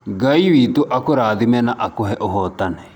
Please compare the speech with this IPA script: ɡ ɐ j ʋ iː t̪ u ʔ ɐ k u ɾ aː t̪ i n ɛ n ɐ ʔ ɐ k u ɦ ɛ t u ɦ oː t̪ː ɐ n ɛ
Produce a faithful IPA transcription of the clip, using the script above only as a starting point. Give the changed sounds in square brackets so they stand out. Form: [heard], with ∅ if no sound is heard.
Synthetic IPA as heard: ɡ ɐ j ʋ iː t̪ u ʔ ɐ k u ɾ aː [d̪] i [m] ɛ n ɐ ʔ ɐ k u ɦ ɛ [ʔ] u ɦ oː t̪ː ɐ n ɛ